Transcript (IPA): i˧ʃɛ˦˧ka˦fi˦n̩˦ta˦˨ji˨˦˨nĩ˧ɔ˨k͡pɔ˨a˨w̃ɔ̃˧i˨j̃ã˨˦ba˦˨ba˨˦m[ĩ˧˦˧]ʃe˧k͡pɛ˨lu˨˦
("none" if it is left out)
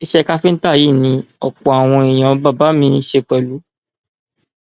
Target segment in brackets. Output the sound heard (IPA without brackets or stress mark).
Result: ĩ˧˦˧